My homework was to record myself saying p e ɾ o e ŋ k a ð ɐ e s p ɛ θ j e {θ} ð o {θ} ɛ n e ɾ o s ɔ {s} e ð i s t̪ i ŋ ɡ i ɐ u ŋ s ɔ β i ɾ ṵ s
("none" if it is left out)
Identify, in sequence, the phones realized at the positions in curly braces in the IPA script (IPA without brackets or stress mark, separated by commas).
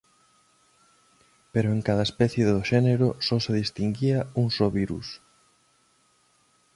none, ʃ, s